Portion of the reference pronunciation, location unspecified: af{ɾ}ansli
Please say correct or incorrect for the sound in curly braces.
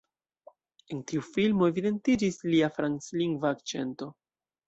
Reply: correct